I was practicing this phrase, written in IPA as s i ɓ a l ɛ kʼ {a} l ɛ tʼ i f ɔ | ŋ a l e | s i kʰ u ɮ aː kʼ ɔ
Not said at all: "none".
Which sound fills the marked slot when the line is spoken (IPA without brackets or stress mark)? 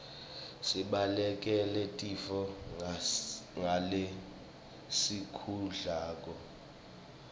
ɛ